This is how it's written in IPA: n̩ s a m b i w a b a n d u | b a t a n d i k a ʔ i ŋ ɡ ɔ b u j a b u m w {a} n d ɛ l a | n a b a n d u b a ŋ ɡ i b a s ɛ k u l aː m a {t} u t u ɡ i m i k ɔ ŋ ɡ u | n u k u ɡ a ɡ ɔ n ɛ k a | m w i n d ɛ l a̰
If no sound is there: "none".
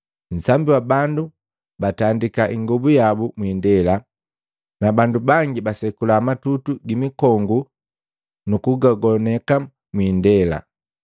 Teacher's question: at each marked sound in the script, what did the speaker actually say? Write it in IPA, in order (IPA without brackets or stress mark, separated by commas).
i, t